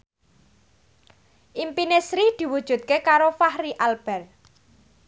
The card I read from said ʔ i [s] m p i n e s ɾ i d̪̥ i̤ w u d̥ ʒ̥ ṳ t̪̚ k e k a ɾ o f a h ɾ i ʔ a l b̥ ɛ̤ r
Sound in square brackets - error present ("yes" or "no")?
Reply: yes